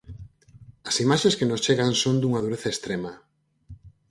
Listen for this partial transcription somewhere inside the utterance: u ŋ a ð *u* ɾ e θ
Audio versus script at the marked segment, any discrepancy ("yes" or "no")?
no